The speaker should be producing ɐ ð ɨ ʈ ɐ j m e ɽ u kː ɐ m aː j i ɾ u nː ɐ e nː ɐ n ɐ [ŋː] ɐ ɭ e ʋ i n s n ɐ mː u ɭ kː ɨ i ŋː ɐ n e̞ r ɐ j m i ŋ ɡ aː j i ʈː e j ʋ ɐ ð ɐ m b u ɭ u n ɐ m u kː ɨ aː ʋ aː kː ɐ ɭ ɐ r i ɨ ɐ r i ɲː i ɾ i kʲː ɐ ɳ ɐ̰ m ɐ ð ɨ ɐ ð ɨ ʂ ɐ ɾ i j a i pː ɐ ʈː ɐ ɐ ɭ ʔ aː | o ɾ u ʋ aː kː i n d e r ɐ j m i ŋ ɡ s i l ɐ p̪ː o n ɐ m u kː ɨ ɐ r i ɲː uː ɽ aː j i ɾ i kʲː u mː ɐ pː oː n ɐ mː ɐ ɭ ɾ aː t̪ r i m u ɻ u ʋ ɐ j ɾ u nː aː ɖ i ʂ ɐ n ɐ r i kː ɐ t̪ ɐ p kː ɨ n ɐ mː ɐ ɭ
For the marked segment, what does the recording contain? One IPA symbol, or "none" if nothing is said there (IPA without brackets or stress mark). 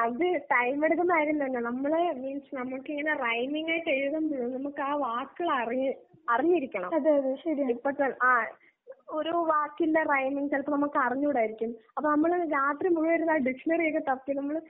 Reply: mː